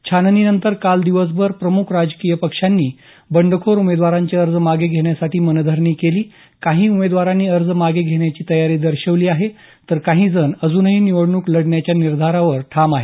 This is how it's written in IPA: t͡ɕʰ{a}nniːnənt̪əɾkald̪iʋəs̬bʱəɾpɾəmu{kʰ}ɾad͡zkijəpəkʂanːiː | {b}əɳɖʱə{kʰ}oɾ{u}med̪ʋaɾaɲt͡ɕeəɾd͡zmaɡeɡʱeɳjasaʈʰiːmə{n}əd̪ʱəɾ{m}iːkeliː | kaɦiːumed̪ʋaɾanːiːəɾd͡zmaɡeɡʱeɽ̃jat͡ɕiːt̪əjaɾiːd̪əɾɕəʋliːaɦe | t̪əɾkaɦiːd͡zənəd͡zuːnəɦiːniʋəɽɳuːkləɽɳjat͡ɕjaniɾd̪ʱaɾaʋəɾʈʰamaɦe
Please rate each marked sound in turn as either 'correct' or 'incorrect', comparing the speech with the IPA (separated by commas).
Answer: correct, correct, correct, correct, correct, correct, incorrect